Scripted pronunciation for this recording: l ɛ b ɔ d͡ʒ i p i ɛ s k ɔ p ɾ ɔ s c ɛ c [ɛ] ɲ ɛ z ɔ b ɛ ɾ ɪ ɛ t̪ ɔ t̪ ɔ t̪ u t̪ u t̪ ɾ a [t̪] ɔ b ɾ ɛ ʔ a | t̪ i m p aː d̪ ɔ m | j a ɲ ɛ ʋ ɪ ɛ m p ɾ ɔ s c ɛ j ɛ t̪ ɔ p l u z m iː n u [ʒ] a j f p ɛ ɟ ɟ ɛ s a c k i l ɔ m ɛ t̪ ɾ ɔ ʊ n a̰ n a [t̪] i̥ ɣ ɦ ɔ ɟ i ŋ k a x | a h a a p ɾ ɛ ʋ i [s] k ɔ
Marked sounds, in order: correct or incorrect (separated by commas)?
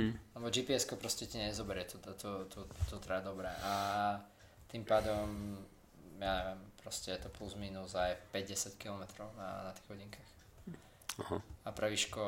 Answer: incorrect, incorrect, incorrect, correct, incorrect